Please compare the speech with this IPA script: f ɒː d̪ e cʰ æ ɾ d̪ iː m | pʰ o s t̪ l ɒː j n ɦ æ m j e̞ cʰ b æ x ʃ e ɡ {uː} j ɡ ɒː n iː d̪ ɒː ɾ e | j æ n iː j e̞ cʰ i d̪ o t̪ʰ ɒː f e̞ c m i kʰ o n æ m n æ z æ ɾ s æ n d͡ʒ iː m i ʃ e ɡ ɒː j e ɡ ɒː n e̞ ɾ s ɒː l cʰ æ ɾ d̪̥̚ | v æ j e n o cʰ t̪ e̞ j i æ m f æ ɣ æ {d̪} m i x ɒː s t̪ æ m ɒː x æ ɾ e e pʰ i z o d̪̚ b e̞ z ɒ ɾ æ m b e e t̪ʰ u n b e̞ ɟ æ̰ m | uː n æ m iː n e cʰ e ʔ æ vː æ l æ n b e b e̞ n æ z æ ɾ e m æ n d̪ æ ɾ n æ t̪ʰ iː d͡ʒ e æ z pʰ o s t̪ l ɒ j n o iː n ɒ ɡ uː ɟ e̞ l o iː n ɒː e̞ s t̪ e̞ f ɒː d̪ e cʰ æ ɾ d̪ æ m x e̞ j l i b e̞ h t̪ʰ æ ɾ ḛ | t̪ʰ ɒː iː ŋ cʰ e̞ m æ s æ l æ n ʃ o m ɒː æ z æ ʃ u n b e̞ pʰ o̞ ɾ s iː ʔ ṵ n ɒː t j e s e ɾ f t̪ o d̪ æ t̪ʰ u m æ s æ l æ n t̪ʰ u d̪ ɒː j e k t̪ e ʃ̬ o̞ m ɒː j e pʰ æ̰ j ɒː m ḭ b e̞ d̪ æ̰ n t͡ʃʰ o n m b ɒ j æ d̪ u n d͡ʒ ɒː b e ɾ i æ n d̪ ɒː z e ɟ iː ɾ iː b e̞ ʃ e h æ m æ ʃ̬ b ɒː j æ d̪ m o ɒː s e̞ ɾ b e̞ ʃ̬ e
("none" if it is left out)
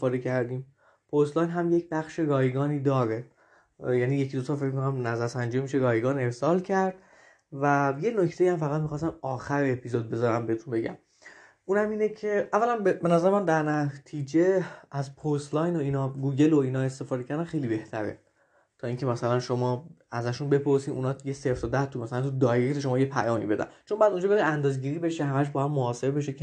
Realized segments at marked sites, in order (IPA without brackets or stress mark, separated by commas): ɒː, t̪